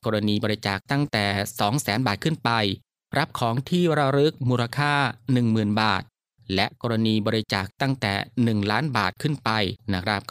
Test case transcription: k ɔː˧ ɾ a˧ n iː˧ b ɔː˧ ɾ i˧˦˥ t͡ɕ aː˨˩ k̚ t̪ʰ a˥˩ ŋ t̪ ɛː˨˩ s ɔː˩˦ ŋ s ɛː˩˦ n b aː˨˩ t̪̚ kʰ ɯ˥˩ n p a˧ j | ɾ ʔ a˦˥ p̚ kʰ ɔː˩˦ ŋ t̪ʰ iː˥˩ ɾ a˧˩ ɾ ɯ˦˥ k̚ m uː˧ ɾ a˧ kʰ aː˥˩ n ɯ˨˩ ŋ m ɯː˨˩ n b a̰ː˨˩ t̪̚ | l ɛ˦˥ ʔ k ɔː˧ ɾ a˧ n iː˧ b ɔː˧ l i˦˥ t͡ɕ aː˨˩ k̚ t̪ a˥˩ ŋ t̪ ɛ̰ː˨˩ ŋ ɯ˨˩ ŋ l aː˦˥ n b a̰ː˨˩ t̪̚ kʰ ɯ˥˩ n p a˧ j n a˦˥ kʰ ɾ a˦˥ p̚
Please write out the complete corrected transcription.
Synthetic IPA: k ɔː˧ ɾ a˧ n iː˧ b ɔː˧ ɾ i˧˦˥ t͡ɕ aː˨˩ k̚ t̪ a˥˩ ŋ t̪ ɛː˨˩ s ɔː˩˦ ŋ s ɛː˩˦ n b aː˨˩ t̪̚ kʰ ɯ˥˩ n p a˧ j | ɾ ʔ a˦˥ p̚ kʰ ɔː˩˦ ŋ t̪ʰ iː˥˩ ɾ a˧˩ ɾ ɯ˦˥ k̚ m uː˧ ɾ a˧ kʰ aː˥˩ n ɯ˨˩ ŋ m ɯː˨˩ n b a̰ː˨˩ t̪̚ | l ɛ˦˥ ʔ k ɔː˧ ɾ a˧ n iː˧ b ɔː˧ ɾ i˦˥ t͡ɕ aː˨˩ k̚ t̪ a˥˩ ŋ t̪ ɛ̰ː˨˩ n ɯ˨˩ ŋ l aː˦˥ n b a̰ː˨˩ t̪̚ kʰ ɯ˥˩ n p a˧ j n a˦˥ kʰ ɾ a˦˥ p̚